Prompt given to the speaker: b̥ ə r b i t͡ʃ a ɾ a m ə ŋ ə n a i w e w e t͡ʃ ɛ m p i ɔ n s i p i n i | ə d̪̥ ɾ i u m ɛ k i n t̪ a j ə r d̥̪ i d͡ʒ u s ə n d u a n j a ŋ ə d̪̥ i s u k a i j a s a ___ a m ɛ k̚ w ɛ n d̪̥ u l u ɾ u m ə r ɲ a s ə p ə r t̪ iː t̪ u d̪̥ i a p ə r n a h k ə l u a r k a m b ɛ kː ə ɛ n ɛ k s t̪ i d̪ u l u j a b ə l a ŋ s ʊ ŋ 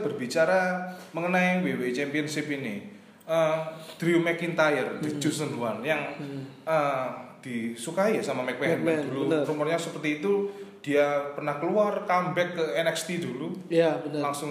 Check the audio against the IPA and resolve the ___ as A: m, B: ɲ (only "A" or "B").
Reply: A